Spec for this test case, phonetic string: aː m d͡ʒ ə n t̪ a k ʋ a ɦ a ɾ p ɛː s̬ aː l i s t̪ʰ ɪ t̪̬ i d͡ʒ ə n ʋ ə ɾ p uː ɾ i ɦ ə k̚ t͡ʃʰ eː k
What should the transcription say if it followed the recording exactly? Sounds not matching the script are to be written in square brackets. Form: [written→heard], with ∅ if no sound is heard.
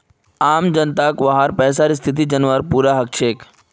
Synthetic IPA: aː m d͡ʒ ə n t̪ a k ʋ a ɦ a ɾ p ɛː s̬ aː [l→ɾ] i s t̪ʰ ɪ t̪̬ i d͡ʒ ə n ʋ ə ɾ p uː ɾ [i→a] ɦ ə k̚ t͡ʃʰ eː k

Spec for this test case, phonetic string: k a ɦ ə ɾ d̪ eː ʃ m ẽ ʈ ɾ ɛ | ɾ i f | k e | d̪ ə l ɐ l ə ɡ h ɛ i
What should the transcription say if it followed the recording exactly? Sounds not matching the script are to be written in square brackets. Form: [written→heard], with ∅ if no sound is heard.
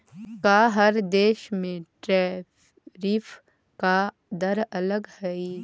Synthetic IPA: k a ɦ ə ɾ d̪ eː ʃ m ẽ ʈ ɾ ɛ | ɾ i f | k [e→a] | d̪ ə [l→ɾ] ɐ l ə ɡ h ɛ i

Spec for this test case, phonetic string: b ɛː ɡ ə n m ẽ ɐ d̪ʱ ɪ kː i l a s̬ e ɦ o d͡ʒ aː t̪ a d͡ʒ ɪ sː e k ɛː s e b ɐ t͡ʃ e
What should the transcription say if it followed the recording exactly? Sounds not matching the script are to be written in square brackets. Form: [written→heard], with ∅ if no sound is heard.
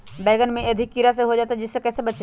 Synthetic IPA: b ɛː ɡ ə n m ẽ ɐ d̪ʱ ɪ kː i [l→ɾ] a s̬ e ɦ o d͡ʒ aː t̪ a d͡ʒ ɪ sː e k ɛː s e b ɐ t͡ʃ e

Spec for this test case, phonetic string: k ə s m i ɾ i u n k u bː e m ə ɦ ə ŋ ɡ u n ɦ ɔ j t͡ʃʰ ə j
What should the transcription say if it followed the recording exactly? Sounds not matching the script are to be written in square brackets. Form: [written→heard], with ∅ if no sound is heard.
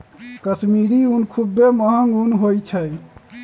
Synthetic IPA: k ə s m i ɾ i u n [k→kʰ] u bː e m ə ɦ ə ŋ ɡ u n ɦ [ɔ→o] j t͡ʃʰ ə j

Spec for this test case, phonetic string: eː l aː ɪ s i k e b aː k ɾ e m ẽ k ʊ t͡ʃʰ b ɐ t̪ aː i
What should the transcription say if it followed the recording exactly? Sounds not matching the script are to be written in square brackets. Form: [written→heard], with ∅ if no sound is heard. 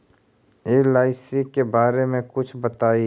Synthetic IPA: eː l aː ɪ s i k e b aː [k→∅] ɾ e m ẽ k ʊ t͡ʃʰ b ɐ t̪ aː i

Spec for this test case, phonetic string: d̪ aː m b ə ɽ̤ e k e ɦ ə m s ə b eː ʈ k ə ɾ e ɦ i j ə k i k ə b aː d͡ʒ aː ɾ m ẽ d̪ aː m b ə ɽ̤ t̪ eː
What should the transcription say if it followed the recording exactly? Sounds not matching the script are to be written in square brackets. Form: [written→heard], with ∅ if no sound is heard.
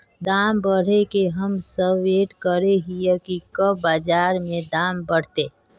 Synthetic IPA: d̪ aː m b ə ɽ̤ e k e ɦ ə m s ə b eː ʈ k ə ɾ e ɦ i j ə k i k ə b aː d͡ʒ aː ɾ m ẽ d̪ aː m b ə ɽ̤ t̪ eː

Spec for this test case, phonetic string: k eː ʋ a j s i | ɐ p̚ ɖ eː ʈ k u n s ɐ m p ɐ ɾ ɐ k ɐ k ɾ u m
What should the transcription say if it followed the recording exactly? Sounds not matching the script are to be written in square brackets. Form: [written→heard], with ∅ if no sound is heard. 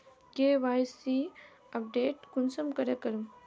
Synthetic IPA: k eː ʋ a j s i | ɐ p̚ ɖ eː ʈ k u n s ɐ m [p→k] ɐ ɾ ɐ k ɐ [k→∅] ɾ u m

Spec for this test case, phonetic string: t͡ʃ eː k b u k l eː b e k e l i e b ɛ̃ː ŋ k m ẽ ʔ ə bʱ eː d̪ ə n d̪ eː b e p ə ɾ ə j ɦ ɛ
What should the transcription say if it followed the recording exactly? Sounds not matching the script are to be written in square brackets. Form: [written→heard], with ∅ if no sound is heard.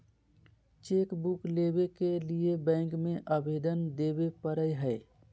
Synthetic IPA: t͡ʃ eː k b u k l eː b e k e l i e b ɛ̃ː ŋ k m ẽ ʔ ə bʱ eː d̪ ə n d̪ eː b e p ə ɾ ə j ɦ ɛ

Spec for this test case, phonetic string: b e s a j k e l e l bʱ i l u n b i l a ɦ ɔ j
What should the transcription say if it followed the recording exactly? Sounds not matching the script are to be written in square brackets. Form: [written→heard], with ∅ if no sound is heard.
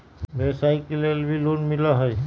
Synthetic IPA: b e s a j k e l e l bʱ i l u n [b→m] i l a ɦ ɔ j

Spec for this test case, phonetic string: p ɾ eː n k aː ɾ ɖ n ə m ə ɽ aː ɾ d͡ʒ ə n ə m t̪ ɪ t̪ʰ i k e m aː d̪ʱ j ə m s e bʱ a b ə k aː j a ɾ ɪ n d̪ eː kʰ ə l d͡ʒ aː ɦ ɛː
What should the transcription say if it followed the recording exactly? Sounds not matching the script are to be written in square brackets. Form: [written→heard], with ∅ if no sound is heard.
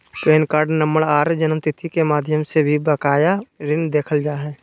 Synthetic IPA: p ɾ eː n k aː ɾ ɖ n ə m ə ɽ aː ɾ d͡ʒ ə n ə m t̪ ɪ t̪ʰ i k e m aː d̪ʱ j ə m s e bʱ [a→i] b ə k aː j a ɾ ɪ n d̪ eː kʰ ə l d͡ʒ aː ɦ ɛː

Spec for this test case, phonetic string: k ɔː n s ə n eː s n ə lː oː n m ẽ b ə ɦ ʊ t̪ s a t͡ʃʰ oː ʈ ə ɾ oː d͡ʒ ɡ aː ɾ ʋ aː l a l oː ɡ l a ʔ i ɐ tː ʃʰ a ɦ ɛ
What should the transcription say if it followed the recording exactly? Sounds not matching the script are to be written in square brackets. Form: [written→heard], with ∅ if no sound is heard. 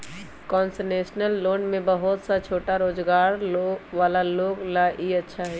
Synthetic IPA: k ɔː n s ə n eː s n ə lː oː n m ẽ b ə ɦ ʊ t̪ s a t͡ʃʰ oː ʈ [ə→a] ɾ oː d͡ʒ ɡ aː ɾ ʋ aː l a l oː ɡ l a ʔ i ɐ tː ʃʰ a ɦ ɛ

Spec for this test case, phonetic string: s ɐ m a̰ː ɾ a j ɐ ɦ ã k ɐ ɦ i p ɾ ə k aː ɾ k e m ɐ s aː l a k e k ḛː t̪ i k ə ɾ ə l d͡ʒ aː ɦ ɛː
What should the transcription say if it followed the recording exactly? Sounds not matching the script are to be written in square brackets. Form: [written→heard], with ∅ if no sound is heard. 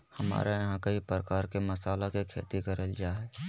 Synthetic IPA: [s→h] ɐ m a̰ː ɾ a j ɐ ɦ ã k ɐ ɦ i p ɾ ə k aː ɾ k e m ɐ s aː l a k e [k→kʰ] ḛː t̪ i k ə ɾ ə l d͡ʒ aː ɦ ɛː

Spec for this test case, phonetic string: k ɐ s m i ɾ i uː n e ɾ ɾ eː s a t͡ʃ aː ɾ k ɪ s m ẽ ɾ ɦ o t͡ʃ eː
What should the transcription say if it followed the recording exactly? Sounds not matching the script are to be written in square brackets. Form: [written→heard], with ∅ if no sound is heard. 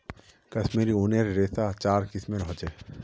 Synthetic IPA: k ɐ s m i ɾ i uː n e ɾ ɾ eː s a t͡ʃ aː ɾ k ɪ s m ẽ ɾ ɦ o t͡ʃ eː

